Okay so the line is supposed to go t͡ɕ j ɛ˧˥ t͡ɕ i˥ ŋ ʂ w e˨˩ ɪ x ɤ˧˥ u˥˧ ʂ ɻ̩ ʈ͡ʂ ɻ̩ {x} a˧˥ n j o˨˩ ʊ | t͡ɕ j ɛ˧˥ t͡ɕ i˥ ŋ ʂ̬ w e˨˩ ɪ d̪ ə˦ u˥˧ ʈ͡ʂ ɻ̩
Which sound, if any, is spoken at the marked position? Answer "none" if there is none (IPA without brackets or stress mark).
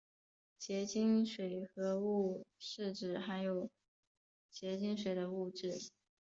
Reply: x